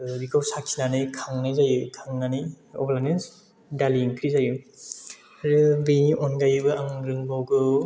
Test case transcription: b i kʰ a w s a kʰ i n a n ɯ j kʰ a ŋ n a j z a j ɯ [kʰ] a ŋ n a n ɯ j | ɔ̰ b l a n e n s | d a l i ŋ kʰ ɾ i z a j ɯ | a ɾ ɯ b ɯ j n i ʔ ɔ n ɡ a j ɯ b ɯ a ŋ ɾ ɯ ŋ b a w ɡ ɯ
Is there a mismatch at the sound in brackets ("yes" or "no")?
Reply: no